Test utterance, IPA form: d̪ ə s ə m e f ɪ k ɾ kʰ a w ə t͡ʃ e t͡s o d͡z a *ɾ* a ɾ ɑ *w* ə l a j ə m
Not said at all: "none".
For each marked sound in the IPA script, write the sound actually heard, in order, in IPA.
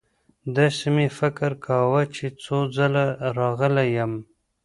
l, ɣ

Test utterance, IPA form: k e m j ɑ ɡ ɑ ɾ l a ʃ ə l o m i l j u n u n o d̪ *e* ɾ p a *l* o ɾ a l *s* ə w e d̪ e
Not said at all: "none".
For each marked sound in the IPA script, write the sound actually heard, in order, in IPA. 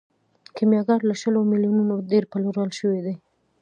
e, l, ʃ

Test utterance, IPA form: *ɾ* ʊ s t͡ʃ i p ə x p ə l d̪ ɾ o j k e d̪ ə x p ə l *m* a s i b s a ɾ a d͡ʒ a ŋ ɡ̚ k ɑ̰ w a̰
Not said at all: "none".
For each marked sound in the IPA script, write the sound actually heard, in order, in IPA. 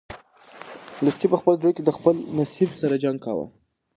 l, n

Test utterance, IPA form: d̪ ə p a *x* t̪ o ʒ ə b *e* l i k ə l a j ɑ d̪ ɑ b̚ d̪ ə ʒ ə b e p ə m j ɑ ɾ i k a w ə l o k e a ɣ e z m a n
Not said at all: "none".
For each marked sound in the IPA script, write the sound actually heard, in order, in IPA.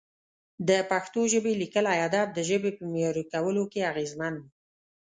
x, e

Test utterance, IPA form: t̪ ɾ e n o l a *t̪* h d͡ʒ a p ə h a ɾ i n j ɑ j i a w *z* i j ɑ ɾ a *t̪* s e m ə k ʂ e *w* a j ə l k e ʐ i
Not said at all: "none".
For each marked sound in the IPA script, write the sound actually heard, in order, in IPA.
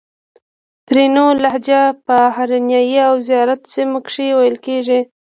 none, z, t̪, w

